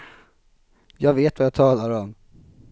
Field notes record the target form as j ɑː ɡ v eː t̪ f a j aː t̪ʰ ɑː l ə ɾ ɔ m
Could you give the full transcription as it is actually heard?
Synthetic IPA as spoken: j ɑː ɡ v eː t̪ v a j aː t̪ʰ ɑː l a ɾ ɔ m

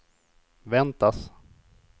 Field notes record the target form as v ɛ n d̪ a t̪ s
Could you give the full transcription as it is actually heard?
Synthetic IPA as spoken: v ɛ n t̪ a s

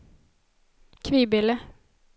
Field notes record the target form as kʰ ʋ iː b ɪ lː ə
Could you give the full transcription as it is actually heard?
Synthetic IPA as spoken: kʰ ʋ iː b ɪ l ə

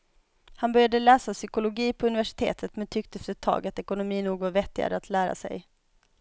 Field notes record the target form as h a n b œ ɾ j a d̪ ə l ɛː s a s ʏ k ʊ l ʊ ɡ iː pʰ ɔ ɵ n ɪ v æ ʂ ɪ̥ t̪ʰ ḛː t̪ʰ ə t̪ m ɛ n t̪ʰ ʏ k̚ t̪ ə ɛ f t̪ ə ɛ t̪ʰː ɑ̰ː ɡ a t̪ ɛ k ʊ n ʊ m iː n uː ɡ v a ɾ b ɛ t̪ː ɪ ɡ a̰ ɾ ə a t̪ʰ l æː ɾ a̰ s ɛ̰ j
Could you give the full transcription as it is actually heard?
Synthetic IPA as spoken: h a n b œ ɾ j a d̪ ə l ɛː s a s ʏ k ʊ l ʊ ɡ iː pʰ ɔ ɵ n ɪ v æ ʂ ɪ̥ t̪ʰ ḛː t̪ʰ ə t̪ m ɛ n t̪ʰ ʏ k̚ t̪ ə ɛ f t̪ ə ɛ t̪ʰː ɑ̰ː ɡ a t̪ ɛ k ʊ n ʊ m iː n uː ɡ v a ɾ v ɛ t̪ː ɪ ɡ a̰ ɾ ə a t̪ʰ l æː ɾ a̰ s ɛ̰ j

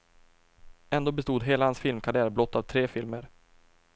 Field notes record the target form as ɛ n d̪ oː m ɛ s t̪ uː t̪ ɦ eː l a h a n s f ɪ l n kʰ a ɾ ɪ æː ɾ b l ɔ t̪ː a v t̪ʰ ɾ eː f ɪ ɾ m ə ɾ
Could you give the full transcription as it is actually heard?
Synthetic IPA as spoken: ɛ n d̪ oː b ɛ s t̪ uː d̪ ɦ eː l a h a n s f ɪ l m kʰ a ɾ ɪ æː ɾ b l ɔ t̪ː a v t̪ʰ ɾ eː f ɪ l m ə ɾ

